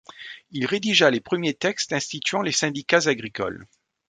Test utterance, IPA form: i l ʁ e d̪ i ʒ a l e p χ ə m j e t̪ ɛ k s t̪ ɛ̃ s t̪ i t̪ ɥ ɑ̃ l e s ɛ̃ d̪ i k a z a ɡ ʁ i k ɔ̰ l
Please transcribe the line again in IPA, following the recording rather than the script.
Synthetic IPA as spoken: i l ʁ e d̪ i ʒ a l e p χ ə m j e t̪ ɛ k s t̪ ɛ̃ s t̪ i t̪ ɥ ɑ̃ l e s ɛ̃ d̪ i k a z a ɡ ʁ i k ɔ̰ l

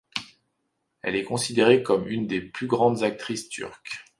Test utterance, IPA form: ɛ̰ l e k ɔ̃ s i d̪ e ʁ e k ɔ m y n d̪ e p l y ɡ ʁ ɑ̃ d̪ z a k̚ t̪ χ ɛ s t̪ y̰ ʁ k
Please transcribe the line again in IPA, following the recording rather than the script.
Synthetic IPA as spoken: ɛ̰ l ɛ k ɔ̃ s i d̪ e ʁ e k ɔ m y n d̪ e p l y ɡ ʁ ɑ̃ d̪ z a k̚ t̪ χ i s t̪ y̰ ʁ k

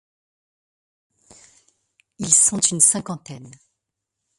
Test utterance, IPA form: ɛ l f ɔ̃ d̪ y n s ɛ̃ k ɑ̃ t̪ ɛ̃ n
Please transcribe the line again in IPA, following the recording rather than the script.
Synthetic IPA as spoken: i l s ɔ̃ t̪ y n s ɛ̃ k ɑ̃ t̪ ɛ n

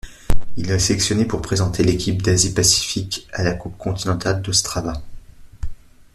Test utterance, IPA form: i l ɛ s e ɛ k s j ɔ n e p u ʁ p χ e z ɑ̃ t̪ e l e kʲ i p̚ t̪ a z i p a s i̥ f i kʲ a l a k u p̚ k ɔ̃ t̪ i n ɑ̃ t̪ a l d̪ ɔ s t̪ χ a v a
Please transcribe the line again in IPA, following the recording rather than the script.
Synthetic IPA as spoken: i l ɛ s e ɛ k s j ɔ n e p u ʁ p χ e z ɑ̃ t̪ e l e kʲ i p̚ d̪ a z i p a s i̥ f i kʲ a l a k u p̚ k ɔ̃ t̪ i n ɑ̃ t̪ a l d̪ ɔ s t̪ χ a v a

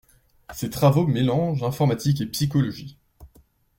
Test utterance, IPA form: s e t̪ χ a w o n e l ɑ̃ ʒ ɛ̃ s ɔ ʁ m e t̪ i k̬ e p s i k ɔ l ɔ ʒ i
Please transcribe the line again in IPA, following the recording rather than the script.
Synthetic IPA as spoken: s e t̪ χ a v o m e l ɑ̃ ʒ ɛ̃ f ɔ ʁ m a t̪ i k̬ e p s i k ɔ l ɔ ʒ i

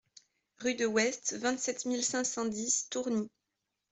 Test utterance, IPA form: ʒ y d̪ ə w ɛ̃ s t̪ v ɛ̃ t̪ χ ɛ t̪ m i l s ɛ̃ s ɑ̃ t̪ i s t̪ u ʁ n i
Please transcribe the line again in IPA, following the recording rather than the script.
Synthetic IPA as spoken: ʁ y d̪ ə w ɛ s t̪ v ɛ̃ t̪ s ɛ t̪ m i l s ɛ̃ s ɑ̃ d̪ i s t̪ u ʁ n i

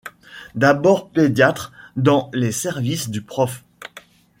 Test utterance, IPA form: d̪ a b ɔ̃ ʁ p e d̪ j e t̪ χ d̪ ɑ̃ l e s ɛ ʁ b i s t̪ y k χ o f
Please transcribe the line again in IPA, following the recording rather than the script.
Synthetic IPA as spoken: d̪ a b ɔ ʁ p e d̪ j a t̪ χ d̪ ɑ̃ l e s ɛ ʁ v i s d̪ y p χ ɔ f

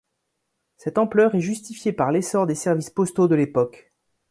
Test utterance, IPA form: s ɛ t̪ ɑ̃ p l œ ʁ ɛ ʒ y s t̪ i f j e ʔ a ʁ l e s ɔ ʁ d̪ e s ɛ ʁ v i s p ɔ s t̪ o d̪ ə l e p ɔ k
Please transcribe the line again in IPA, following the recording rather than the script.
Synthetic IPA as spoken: s ɛ t̪ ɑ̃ p l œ ʁ ɛ ʒ y s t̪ i f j e p a ʁ l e s ɔ ʁ d̪ e s ɛ ʁ v i s p ɔ s t̪ o d̪ ə l e p ɔ k

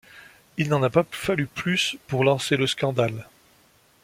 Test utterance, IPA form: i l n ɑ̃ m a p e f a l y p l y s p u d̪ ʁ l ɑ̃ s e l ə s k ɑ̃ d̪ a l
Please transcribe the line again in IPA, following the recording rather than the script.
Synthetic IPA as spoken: i l n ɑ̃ n a p a f a l y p l y s p u ʁ l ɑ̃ s e l ə s k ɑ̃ d̪ a l

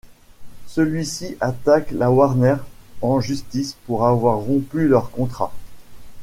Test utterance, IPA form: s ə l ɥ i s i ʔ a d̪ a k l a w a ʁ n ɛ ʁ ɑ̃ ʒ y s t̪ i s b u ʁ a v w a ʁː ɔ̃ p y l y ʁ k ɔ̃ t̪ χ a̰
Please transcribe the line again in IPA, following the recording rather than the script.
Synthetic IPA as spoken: s ə l ɥ i s i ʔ a t̪ a k l a w a ʁ n ɛ ʁ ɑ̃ ʒ y s t̪ i s p u ʁ a v w a ʁː ɔ̃ p y l œ ʁ k ɔ̃ t̪ χ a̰

